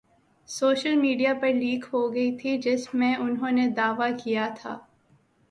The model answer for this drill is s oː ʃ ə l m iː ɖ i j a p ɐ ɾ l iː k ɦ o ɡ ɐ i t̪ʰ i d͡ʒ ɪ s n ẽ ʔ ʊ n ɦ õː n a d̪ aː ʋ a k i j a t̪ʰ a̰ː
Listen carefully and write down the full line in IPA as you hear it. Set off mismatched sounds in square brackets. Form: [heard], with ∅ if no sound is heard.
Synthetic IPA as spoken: s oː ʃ ə l m iː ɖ i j a p ɐ ɾ l iː k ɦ o ɡ ɐ i t̪ʰ i d͡ʒ ɪ s [m] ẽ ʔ ʊ n ɦ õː n [e] d̪ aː ʋ a k i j a t̪ʰ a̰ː